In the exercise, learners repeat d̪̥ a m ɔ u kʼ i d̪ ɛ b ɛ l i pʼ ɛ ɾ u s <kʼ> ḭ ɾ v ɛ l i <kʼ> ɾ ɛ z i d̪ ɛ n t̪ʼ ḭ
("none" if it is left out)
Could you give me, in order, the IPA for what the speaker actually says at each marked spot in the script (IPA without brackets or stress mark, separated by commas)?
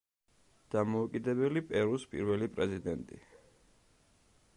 pʼ, pʼ